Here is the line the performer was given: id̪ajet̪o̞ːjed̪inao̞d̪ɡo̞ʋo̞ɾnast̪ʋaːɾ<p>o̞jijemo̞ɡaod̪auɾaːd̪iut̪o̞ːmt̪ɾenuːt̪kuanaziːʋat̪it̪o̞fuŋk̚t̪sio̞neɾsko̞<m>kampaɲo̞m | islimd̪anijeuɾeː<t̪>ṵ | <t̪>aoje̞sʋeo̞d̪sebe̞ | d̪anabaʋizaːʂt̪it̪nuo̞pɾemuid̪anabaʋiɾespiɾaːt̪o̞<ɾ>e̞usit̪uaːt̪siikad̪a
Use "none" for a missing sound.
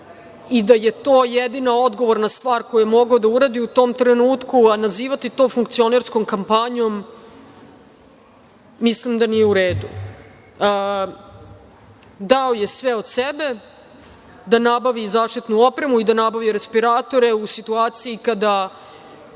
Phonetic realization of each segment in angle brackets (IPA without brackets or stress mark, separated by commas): k, m, d̪, d̪, ɾ